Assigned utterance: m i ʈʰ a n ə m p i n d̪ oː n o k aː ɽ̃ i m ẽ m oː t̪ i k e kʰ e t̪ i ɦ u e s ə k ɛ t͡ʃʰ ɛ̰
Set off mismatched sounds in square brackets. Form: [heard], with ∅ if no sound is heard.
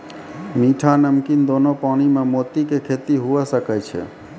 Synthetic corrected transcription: m i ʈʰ a n ə m [k] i n d̪ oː n o [p] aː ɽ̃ i m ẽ m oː t̪ i k e kʰ e t̪ i ɦ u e s ə k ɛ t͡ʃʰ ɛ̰